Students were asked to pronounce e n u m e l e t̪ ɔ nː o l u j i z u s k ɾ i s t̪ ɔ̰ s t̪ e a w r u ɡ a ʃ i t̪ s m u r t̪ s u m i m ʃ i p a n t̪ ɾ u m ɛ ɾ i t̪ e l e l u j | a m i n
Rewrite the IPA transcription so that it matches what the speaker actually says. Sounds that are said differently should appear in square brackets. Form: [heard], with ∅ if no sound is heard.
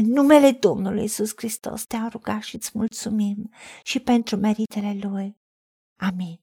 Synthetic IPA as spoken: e n u m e l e [d̪] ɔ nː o l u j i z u s k ɾ i s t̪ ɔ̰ s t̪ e a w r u ɡ a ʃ i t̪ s m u [l] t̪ s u m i m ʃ i p [ɛ] n t̪ ɾ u m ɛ ɾ i t̪ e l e l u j | a m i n